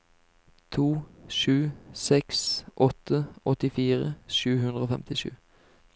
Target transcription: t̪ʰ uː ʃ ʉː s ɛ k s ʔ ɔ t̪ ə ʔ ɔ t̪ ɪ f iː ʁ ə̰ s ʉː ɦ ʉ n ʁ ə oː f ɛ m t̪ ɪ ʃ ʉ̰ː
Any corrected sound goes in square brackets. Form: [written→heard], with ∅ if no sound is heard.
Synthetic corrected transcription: t̪ʰ uː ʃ ʉː s ɛ k s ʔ ɔ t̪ ə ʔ ɔ t̪ ɪ f iː ʁ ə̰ [s→ʃ] ʉː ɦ ʉ n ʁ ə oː f ɛ m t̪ ɪ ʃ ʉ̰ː